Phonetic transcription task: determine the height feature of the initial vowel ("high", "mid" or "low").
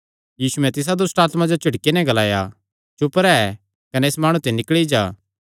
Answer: high